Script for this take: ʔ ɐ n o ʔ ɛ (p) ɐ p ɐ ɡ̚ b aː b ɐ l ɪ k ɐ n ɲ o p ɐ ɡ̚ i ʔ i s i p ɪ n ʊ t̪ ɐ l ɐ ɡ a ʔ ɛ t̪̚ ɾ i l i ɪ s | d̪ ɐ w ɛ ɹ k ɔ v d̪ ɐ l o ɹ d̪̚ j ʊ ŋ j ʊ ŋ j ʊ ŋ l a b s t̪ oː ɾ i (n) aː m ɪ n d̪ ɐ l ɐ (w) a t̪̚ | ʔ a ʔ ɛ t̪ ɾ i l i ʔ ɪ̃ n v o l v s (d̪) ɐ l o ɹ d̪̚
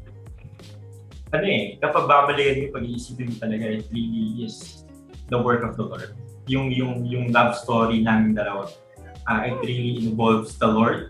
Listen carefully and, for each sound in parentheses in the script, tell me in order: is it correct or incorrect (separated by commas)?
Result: incorrect, correct, correct, correct